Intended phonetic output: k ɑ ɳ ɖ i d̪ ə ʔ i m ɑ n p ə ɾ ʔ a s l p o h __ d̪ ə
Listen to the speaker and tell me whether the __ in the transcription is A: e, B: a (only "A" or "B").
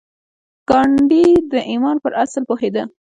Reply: A